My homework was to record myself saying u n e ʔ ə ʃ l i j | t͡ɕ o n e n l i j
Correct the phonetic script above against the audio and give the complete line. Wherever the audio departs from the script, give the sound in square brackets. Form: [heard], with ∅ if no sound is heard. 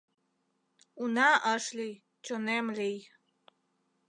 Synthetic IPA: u n [a] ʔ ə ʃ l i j | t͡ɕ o n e [m] l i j